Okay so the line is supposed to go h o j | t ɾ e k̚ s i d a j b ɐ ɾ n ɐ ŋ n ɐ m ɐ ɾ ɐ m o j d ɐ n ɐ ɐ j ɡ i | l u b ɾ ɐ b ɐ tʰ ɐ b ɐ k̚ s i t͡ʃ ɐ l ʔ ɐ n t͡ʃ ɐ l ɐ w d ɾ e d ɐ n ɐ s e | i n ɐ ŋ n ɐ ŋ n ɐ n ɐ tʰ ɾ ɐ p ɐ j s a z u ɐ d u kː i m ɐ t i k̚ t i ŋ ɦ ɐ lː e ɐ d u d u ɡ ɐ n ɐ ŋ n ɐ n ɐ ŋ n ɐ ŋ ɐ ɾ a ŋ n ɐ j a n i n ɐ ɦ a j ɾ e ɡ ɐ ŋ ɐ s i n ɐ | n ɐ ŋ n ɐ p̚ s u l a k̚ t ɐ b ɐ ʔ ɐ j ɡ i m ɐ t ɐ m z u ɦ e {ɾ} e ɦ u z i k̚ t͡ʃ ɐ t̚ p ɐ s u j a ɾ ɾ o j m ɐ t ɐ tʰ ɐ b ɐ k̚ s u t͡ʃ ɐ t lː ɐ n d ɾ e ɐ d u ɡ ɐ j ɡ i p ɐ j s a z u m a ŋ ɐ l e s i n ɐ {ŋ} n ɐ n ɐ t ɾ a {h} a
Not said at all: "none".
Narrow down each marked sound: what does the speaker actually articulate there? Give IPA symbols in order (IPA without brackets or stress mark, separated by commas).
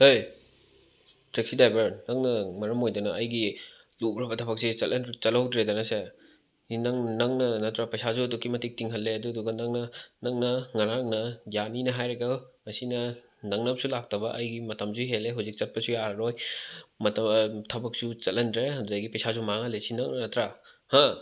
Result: l, ŋ, h